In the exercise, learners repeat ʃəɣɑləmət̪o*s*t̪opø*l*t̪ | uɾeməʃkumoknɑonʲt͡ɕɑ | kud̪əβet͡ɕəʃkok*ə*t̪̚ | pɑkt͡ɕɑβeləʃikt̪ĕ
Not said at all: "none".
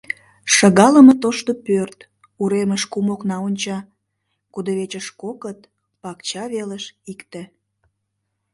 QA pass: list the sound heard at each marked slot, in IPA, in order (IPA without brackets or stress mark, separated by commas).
ʃ, r, ə